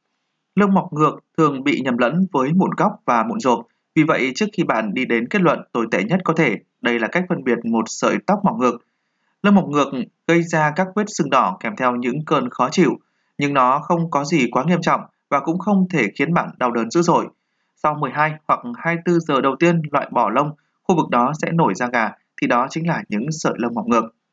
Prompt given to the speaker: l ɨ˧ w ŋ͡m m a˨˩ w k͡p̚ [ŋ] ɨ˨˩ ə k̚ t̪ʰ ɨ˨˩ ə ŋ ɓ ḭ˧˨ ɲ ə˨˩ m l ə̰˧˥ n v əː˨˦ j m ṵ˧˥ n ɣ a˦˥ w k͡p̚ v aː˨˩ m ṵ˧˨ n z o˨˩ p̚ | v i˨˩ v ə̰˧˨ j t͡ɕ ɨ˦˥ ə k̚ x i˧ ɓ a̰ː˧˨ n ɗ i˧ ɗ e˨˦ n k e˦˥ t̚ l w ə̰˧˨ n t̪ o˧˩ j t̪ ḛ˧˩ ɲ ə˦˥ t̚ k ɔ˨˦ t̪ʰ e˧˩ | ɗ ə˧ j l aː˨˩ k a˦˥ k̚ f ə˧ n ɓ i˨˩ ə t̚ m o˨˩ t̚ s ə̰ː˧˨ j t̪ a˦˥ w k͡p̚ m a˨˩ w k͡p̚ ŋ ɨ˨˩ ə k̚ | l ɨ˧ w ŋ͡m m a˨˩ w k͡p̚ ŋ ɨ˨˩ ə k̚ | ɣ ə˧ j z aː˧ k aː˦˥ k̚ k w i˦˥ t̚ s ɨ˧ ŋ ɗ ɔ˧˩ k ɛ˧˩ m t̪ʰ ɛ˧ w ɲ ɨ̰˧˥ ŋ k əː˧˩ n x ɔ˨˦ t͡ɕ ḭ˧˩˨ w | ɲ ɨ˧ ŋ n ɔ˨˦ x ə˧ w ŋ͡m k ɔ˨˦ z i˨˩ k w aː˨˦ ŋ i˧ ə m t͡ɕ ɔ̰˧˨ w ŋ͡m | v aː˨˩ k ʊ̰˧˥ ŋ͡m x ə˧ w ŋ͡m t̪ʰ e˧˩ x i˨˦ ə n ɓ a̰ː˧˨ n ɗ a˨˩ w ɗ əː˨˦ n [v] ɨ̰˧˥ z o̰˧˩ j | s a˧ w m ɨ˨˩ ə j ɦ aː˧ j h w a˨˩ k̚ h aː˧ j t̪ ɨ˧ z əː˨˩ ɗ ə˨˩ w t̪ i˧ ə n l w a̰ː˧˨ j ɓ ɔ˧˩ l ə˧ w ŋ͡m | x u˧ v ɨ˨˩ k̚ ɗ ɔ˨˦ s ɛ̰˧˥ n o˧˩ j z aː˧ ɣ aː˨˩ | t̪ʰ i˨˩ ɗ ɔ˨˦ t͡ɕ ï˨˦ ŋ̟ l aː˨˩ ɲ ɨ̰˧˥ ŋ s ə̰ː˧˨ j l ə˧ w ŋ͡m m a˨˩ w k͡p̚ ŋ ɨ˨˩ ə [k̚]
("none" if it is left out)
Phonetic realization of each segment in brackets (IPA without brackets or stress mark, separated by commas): ŋ, z, k̚